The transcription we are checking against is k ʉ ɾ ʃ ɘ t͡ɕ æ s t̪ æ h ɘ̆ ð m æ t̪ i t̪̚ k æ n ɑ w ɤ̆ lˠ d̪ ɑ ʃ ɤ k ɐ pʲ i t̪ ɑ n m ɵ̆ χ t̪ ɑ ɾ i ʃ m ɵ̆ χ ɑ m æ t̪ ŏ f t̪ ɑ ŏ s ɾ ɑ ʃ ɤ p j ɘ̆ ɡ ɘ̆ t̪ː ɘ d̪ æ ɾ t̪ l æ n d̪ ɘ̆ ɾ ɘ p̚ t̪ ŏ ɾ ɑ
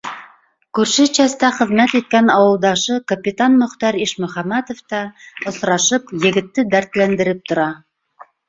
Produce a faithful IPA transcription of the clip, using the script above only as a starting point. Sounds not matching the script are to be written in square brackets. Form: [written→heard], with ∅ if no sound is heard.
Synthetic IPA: k ʉ ɾ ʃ ɘ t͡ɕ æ s t̪ æ [h→χ] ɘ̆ ð m æ t̪ i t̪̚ k æ n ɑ w ɤ̆ lˠ d̪ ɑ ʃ ɤ k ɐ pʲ i t̪ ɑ n m ɵ̆ χ t̪ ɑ ɾ i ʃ m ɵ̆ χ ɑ m æ t̪ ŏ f t̪ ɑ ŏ s ɾ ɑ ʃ ɤ p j ɘ̆ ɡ ɘ̆ t̪ː ɘ d̪ æ ɾ t̪ l æ n d̪ ɘ̆ ɾ ɘ p̚ t̪ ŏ ɾ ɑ